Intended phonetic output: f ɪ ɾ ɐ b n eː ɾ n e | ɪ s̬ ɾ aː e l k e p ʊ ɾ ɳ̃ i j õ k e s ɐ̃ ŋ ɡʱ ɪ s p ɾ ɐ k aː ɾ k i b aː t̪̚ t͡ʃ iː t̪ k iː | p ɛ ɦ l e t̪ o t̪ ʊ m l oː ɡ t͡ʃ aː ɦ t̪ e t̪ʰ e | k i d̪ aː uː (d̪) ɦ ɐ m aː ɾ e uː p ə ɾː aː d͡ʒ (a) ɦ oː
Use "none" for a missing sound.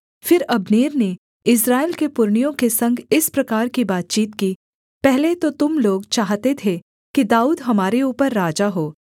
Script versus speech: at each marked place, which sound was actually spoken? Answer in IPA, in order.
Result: d̪, a

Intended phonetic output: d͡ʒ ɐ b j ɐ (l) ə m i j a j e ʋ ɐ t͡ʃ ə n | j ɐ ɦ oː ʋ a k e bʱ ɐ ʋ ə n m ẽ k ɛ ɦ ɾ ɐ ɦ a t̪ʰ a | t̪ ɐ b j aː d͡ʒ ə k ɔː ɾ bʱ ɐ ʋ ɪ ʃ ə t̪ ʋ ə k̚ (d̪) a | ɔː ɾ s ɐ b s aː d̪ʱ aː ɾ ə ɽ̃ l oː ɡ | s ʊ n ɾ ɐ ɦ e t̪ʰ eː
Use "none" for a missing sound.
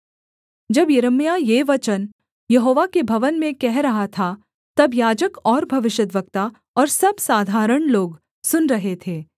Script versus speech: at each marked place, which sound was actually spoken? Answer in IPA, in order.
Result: ɾ, t̪

